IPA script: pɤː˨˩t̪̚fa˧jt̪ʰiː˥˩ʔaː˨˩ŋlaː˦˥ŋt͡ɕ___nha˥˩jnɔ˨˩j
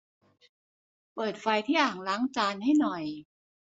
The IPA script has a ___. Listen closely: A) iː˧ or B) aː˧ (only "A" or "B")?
B